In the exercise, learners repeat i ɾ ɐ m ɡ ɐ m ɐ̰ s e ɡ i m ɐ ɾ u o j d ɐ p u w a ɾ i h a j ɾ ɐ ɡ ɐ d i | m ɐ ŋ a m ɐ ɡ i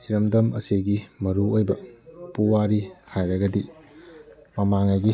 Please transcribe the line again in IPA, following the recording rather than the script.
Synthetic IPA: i ɾ ɐ m d ɐ m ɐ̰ s e ɡ i m ɐ ɾ u o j b ɐ p u w a ɾ i h a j ɾ ɐ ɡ ɐ d i | m ɐ m a ŋ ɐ ɡ i